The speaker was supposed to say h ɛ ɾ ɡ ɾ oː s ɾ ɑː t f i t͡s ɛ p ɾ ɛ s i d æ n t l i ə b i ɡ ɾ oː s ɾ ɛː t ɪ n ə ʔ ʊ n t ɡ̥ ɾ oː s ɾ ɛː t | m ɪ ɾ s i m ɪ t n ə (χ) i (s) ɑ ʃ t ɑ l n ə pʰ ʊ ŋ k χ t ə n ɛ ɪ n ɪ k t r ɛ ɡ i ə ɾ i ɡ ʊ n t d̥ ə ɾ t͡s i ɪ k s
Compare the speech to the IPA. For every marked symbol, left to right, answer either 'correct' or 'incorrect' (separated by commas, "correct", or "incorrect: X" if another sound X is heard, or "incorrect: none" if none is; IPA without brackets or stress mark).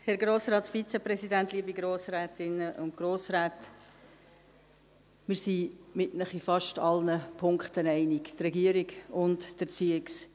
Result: correct, incorrect: f